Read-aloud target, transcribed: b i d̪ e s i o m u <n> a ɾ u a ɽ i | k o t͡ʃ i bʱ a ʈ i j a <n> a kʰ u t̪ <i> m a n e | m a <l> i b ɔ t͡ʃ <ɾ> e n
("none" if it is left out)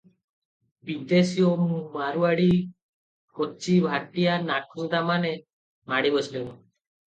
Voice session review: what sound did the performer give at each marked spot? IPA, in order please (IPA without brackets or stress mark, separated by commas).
m, n, a, ɽ, l